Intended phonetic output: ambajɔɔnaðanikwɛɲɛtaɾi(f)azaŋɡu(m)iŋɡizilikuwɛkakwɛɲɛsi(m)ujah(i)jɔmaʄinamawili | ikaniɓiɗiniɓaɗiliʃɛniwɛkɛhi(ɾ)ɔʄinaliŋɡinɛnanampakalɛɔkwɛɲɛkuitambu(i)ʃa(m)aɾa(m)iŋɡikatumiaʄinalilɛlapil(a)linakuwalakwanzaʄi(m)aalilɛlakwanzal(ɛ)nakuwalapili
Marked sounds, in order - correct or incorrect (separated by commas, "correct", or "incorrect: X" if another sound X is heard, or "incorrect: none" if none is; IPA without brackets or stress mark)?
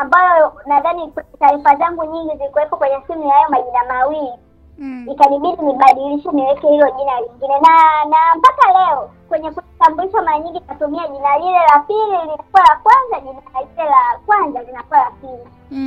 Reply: correct, incorrect: ɲ, correct, incorrect: a, incorrect: l, correct, correct, incorrect: ɲ, incorrect: i, incorrect: n, incorrect: i